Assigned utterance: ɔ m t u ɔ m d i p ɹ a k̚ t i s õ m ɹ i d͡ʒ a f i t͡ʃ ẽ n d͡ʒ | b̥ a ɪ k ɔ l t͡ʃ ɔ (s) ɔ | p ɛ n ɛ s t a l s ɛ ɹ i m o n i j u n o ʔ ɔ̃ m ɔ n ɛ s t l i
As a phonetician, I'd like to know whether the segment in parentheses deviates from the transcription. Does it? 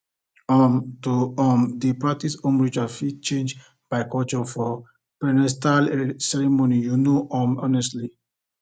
yes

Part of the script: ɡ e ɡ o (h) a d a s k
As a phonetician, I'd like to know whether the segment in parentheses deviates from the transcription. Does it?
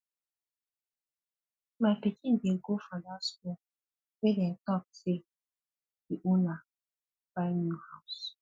yes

